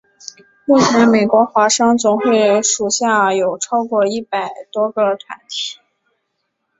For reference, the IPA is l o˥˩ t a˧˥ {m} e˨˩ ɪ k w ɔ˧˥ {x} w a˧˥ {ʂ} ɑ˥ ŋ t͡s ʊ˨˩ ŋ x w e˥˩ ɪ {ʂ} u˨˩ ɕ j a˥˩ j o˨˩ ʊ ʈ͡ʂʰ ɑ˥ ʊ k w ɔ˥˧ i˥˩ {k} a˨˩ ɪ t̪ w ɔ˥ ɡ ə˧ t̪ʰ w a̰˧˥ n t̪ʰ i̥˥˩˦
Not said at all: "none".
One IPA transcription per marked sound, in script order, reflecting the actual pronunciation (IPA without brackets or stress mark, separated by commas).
m, x, ʂ, ʂ, p